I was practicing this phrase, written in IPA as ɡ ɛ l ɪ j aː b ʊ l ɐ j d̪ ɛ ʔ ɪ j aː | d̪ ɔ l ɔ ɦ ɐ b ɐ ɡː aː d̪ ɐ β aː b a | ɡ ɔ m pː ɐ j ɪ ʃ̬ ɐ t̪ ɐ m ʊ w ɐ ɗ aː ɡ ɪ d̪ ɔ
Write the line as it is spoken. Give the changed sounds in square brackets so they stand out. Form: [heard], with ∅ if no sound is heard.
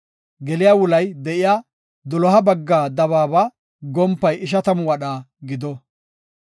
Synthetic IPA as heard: ɡ ɛ l ɪ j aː [w] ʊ l ɐ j d̪ ɛ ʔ ɪ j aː | d̪ ɔ l ɔ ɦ ɐ b ɐ ɡː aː d̪ ɐ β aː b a | ɡ ɔ m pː ɐ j ɪ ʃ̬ ɐ t̪ ɐ m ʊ w ɐ ɗ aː ɡ ɪ d̪ ɔ

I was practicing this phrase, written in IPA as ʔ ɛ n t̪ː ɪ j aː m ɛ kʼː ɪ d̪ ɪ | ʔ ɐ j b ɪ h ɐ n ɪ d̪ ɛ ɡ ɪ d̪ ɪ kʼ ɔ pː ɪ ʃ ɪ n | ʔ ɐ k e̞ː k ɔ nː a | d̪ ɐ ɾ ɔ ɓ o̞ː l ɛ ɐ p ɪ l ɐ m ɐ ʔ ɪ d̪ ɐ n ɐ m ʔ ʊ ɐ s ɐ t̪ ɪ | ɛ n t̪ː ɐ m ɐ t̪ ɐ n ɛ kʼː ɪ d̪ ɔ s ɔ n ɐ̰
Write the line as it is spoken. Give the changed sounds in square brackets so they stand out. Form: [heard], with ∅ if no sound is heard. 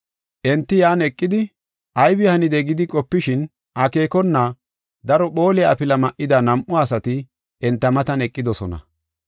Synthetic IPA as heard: ʔ ɛ n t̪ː ɪ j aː [n] ɛ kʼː ɪ d̪ ɪ | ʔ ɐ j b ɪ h ɐ n ɪ d̪ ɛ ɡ ɪ d̪ ɪ kʼ ɔ pː ɪ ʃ ɪ n | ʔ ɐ k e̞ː k ɔ nː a | d̪ ɐ ɾ ɔ ɓ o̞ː l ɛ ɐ p ɪ l ɐ m ɐ ʔ ɪ d̪ ɐ n ɐ m ʔ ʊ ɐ s ɐ t̪ ɪ | ɛ n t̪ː ɐ m ɐ t̪ ɐ n ɛ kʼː ɪ d̪ ɔ s ɔ n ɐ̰

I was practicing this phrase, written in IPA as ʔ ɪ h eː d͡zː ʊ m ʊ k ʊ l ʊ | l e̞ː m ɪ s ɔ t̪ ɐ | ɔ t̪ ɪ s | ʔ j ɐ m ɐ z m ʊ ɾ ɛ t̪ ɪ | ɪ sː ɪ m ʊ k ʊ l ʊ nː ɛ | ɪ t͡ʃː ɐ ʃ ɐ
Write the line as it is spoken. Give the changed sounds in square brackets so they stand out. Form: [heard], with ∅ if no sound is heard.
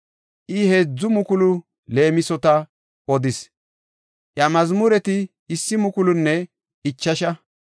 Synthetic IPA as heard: ʔ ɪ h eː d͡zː ʊ m ʊ k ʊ l ʊ | l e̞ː m ɪ s ɔ t̪ ɐ | ɔ [d̪] ɪ s | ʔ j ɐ m ɐ z m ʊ ɾ ɛ t̪ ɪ | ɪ sː ɪ m ʊ k ʊ l ʊ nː ɛ | ɪ t͡ʃː ɐ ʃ ɐ

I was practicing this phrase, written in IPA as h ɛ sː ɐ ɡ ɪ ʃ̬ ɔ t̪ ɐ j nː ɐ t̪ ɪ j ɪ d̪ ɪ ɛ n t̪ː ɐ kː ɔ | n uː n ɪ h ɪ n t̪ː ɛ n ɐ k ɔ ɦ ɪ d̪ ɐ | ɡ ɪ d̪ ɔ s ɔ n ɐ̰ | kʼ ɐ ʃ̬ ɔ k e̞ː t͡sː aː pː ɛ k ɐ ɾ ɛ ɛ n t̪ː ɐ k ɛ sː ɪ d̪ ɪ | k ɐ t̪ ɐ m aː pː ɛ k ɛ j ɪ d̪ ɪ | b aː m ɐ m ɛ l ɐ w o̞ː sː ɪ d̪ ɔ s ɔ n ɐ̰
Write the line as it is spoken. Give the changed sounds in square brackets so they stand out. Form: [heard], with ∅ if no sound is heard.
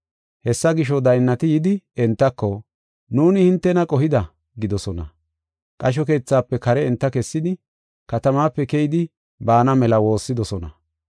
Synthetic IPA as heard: h ɛ sː ɐ ɡ ɪ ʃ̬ ɔ [d̪] ɐ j nː ɐ t̪ ɪ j ɪ d̪ ɪ ɛ n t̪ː ɐ kː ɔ | n uː n ɪ h ɪ n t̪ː ɛ n ɐ [kʼ] ɔ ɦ ɪ d̪ ɐ | ɡ ɪ d̪ ɔ s ɔ n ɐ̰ | kʼ ɐ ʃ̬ ɔ k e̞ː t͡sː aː pː ɛ k ɐ ɾ ɛ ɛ n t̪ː ɐ k ɛ sː ɪ d̪ ɪ | k ɐ t̪ ɐ m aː pː ɛ k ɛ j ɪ d̪ ɪ | b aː [n] ɐ m ɛ l ɐ w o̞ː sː ɪ d̪ ɔ s ɔ n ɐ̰

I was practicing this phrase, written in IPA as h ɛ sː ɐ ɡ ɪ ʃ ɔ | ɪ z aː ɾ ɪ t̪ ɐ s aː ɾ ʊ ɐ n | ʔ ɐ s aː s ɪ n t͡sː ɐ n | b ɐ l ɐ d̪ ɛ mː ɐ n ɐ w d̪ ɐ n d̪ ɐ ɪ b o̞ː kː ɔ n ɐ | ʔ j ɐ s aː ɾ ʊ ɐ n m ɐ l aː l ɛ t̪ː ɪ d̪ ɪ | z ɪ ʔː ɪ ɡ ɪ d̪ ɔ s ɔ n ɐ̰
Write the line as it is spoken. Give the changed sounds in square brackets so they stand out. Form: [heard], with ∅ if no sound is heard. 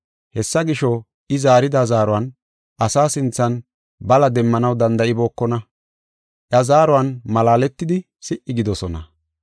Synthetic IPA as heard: h ɛ sː ɐ ɡ ɪ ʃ ɔ | ɪ z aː ɾ ɪ [d̪] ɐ [z] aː ɾ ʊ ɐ n | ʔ ɐ s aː s ɪ n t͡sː ɐ n | b ɐ l ɐ d̪ ɛ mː ɐ n ɐ w d̪ ɐ n d̪ ɐ ɪ b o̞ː kː ɔ n ɐ | ʔ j ɐ [z] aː ɾ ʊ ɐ n m ɐ l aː l ɛ t̪ː ɪ d̪ ɪ | [s] ɪ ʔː ɪ ɡ ɪ d̪ ɔ s ɔ n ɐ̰

